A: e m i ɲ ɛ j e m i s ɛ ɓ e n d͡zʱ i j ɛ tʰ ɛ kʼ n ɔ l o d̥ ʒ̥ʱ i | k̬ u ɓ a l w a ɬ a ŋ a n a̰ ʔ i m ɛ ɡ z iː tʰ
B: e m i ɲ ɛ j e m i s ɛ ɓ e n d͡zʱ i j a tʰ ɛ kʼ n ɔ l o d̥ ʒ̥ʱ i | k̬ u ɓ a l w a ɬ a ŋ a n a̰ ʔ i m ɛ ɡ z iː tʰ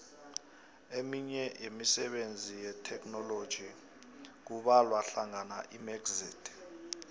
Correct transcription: A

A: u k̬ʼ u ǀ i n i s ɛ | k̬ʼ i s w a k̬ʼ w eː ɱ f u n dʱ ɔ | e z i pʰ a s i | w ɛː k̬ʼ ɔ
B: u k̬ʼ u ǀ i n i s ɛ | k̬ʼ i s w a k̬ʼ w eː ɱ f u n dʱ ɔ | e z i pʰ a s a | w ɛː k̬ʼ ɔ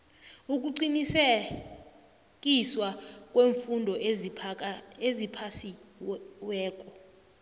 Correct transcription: A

